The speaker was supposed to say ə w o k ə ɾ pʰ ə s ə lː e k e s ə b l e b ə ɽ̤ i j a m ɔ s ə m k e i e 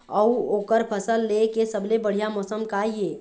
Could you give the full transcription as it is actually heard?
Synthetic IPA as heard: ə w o k ə ɾ pʰ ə s ə lː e k e s ə b l e b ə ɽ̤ i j a m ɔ s ə m k a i e